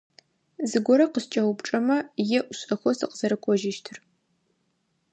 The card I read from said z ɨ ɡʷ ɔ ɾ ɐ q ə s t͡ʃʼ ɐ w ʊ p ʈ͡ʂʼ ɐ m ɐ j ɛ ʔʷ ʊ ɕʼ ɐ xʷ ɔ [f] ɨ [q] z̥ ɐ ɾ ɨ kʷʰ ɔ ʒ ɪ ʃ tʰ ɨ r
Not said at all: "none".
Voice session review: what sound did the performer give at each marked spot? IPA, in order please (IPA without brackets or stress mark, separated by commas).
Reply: s, q